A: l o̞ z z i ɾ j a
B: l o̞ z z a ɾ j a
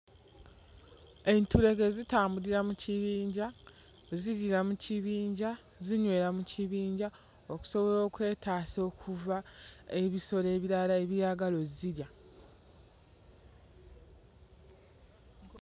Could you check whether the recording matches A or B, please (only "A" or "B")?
A